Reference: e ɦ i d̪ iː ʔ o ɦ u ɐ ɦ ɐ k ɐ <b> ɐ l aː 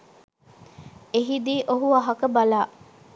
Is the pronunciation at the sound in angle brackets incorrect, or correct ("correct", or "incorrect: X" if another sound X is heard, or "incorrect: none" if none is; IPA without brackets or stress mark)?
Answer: correct